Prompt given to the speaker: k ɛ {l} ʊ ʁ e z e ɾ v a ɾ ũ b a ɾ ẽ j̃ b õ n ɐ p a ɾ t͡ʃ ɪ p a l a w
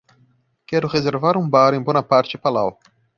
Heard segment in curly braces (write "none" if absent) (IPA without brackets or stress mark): ɾ